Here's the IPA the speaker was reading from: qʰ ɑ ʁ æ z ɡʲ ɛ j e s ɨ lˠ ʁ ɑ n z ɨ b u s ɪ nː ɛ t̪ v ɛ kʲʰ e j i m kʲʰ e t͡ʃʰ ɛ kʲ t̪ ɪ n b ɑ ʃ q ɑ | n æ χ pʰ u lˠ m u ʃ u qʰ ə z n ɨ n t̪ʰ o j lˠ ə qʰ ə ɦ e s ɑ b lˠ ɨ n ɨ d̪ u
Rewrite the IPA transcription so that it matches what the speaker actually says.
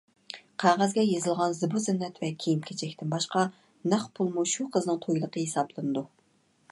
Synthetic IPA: qʰ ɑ ʁ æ z ɡʲ ɛ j e z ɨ lˠ ʁ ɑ n z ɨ b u z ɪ nː ɛ t̪ v ɛ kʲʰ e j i m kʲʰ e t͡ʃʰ ɛ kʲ t̪ ɪ n b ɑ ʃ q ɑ | n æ χ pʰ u lˠ m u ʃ u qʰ ə z n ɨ ŋ t̪ʰ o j lˠ ə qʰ ə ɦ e s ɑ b lˠ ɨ n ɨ d̪ u